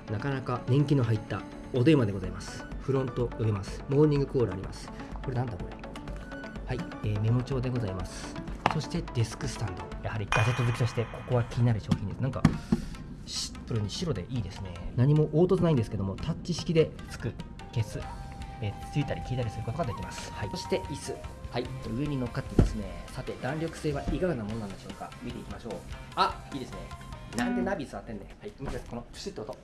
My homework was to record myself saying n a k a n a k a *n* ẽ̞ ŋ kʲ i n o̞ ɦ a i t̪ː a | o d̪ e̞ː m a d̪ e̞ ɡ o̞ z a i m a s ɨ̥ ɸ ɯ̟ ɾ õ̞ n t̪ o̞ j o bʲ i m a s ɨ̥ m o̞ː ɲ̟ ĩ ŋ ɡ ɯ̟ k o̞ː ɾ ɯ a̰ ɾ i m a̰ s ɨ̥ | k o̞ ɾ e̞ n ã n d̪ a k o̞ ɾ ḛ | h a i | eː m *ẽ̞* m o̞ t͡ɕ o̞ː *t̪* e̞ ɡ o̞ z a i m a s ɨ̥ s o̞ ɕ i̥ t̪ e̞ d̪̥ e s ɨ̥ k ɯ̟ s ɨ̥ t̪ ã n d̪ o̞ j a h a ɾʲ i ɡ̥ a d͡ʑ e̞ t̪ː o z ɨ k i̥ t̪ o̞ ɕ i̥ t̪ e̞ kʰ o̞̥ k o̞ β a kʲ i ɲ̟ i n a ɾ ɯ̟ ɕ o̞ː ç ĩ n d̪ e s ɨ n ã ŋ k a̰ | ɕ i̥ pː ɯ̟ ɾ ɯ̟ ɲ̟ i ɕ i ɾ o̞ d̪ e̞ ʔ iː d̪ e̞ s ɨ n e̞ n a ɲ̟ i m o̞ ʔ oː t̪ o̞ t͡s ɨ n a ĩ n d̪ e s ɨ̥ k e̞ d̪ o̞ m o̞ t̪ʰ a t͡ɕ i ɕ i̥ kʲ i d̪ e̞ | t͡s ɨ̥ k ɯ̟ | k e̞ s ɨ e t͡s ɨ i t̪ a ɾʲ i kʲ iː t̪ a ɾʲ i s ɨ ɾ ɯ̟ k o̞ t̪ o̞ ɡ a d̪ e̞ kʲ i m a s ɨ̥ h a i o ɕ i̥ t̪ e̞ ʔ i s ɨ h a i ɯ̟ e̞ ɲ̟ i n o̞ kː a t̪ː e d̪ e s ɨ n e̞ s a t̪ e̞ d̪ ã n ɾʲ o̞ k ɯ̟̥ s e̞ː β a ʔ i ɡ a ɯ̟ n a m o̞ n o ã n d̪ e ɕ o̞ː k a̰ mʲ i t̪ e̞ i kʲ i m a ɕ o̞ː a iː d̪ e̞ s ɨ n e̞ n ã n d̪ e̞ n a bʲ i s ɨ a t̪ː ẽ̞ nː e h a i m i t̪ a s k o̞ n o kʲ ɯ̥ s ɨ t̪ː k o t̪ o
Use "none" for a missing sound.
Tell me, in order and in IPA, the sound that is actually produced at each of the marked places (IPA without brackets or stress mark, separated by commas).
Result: n, e̞, d̪